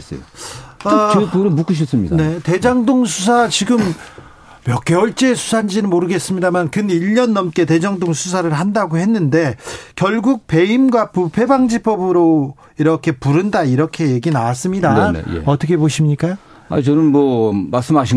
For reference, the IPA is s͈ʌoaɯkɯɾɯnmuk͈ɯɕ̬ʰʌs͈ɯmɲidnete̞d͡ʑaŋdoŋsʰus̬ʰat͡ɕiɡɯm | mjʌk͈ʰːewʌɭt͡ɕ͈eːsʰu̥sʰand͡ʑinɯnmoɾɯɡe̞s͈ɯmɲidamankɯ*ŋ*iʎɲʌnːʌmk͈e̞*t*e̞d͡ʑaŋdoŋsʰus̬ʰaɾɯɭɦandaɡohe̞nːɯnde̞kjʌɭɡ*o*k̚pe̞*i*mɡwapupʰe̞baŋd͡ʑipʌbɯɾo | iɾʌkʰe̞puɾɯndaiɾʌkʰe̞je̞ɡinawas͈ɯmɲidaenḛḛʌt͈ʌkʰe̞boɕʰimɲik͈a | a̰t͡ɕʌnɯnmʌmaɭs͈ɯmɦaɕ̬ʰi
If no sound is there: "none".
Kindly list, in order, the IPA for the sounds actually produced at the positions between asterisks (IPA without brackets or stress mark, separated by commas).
n, t, u, i